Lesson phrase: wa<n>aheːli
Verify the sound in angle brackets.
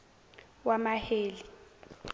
incorrect: m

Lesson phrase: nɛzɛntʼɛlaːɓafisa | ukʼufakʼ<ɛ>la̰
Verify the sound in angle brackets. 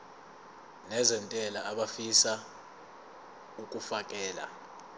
incorrect: ɛː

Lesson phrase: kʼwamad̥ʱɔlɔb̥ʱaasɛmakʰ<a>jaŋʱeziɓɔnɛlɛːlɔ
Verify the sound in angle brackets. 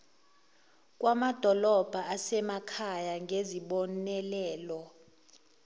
correct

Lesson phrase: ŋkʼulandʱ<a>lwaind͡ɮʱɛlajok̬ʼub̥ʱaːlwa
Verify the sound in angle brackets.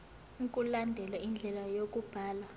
incorrect: ɛ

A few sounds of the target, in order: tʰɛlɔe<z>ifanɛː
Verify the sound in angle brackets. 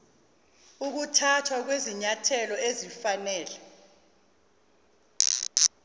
correct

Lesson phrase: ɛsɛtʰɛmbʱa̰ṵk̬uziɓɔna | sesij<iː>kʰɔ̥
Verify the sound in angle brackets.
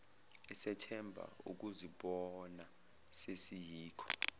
correct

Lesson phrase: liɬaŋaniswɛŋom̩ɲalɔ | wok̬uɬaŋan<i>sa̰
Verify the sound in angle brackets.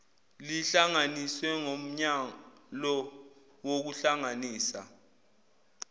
incorrect: iː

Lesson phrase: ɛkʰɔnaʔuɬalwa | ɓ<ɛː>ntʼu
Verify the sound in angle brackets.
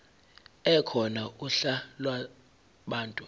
incorrect: aː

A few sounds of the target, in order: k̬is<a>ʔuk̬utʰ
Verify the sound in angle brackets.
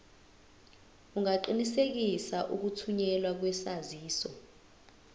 correct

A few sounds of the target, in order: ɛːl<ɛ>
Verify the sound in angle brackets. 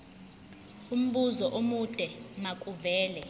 correct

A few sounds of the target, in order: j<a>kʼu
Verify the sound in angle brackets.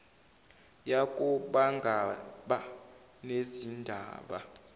correct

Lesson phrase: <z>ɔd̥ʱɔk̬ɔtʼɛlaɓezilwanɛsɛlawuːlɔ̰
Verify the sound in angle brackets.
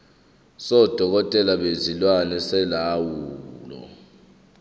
incorrect: s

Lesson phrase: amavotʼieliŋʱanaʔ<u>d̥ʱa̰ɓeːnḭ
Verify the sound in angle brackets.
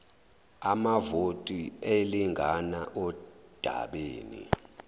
incorrect: ɔ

